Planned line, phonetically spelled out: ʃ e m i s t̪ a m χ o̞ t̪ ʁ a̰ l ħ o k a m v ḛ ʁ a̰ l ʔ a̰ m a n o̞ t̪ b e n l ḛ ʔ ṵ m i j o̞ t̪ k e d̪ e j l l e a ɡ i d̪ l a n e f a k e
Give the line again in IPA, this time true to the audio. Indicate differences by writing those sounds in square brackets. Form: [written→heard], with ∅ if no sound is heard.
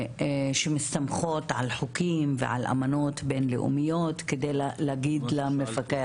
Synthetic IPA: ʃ e m i s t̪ a m χ o̞ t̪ [ʁ→ʕ] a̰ l ħ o k [a→i] m v ḛ [ʁ→ʕ] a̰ l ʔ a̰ m a n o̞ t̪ b e n l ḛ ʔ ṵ m i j o̞ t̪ k e d̪ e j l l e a ɡ i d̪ l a [n→m] e f a k e